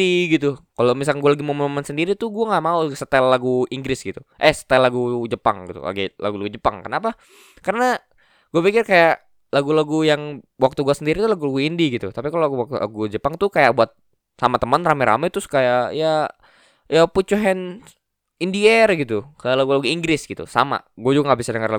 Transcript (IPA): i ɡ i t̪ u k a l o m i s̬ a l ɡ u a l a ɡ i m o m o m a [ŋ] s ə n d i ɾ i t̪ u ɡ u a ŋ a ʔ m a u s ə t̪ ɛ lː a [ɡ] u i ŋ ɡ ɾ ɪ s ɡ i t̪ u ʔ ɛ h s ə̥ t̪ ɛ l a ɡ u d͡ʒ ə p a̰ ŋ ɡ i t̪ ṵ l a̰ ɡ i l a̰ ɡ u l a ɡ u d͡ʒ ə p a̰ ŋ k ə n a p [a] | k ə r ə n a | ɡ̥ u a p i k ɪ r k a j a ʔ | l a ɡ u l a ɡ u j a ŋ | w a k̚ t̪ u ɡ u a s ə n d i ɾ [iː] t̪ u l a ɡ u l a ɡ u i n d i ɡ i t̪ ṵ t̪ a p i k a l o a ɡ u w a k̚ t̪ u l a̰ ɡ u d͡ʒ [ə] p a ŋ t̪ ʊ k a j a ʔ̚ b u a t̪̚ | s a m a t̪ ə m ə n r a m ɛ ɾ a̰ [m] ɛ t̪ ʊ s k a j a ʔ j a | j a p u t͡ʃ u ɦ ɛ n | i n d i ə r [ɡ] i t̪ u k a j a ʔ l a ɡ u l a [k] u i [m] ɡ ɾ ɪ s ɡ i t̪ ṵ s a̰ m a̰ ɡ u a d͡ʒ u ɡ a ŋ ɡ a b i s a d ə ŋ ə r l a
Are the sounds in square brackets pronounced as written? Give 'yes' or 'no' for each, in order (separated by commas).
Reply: no, yes, yes, no, yes, yes, yes, no, no